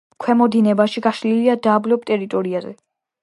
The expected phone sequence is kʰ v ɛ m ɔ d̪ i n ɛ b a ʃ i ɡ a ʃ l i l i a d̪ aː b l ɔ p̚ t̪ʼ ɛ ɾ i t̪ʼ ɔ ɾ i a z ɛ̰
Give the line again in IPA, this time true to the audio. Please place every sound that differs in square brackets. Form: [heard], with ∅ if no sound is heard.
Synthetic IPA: kʰ [w] ɛ m ɔ d̪ i n ɛ b a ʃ i ɡ a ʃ l i l i a d̪ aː b l ɔ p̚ t̪ʼ ɛ ɾ i t̪ʼ ɔ ɾ i a z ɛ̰